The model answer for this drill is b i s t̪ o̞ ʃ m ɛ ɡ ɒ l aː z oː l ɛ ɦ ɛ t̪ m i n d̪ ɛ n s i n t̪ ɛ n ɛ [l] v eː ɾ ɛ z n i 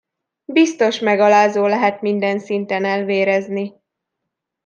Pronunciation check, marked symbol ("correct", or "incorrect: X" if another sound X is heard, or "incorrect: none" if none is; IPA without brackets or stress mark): correct